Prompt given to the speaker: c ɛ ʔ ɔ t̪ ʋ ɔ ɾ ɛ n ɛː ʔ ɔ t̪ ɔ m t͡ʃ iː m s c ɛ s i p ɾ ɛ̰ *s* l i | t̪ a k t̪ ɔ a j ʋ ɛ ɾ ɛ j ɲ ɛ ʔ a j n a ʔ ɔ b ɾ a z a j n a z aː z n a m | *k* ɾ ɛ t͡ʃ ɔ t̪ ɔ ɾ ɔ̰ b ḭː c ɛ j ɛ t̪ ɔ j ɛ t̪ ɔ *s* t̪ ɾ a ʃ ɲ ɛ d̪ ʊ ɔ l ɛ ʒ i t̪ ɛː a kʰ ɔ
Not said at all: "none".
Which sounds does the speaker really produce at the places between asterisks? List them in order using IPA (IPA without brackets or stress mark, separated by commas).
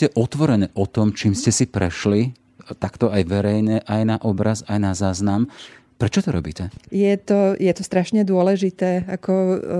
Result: ʃ, p, s